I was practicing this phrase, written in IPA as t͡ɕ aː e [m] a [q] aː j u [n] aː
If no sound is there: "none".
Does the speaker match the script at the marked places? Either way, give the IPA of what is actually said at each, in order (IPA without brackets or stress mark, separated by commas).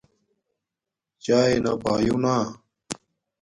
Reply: n, p, n